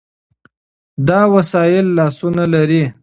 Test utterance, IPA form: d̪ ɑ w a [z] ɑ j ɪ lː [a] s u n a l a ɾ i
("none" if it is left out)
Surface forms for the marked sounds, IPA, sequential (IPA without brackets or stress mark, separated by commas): s, ɑ